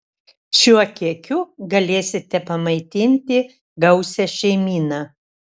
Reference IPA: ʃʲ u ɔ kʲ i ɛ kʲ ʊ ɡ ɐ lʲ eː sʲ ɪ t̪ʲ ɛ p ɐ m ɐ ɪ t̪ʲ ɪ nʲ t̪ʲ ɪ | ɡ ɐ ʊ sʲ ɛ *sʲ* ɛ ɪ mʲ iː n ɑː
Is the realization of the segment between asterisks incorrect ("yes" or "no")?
yes